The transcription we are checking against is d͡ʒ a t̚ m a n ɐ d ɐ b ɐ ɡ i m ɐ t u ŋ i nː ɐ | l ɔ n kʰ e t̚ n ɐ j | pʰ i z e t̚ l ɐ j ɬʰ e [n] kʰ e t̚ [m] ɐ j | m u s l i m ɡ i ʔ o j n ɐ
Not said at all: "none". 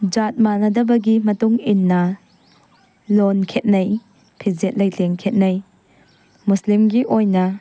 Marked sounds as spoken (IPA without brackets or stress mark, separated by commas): ŋ, n